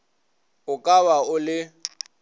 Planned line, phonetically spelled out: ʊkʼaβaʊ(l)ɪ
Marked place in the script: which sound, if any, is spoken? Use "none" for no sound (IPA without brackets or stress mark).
l